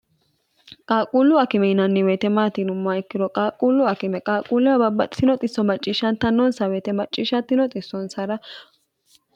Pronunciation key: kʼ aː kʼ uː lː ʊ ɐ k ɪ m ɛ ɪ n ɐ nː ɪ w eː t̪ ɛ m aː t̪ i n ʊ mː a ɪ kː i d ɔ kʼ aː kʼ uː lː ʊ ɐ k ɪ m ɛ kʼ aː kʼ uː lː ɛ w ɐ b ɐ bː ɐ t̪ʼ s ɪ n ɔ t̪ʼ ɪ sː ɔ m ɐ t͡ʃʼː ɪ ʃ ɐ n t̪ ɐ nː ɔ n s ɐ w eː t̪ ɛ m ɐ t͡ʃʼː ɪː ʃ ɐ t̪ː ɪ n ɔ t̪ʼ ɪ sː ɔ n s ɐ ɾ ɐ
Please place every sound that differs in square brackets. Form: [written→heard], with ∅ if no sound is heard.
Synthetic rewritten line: kʼ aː kʼ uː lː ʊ ɐ k ɪ m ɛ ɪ n ɐ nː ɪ w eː t̪ ɛ m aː t̪ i n ʊ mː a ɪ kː [i→ɪ] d ɔ kʼ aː kʼ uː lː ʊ ɐ k ɪ m ɛ kʼ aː kʼ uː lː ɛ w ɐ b ɐ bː ɐ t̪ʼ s ɪ n ɔ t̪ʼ ɪ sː ɔ m ɐ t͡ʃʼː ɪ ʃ ɐ n t̪ ɐ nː ɔ n s ɐ w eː t̪ ɛ m ɐ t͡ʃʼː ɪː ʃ ɐ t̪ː ɪ n ɔ t̪ʼ ɪ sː ɔ n s ɐ ɾ ɐ